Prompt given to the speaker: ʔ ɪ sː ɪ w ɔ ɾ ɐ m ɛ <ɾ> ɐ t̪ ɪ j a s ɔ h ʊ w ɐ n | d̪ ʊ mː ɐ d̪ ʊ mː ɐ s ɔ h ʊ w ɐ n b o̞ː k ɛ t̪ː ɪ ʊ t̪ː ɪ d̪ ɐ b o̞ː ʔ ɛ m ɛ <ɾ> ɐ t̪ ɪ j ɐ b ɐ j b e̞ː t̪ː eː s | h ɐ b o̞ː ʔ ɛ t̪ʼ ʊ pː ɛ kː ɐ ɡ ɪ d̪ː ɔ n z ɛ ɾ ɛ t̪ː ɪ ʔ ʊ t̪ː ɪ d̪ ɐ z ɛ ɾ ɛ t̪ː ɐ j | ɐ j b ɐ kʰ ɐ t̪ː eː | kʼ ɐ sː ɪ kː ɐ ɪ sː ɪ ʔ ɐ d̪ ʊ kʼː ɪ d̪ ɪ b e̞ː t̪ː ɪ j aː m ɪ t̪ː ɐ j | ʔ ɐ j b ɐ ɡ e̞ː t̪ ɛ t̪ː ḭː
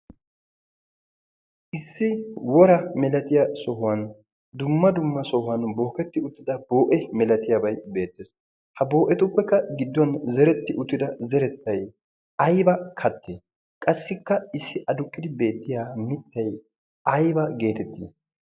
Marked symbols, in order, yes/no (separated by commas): no, no